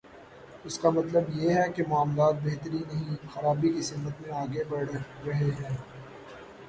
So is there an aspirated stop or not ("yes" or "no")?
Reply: no